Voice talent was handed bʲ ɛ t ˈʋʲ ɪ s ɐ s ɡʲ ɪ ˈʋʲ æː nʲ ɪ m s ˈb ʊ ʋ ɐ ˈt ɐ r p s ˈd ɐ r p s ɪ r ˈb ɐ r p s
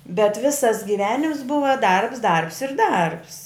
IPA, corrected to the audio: bʲ ɛ t ˈʋʲ ɪ s ɐ s ɡʲ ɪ ˈʋʲ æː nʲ ɪ m s ˈb ʊ ʋ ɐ ˈd ɐ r p s ˈd ɐ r p s ɪ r ˈd ɐ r p s